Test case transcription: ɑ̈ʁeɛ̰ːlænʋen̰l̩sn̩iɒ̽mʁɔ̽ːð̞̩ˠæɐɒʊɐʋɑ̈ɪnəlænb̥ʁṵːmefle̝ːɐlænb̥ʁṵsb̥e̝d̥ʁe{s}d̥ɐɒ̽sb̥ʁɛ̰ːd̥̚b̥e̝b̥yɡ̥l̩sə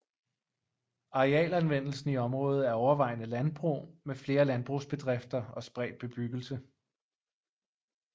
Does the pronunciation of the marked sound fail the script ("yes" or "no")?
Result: yes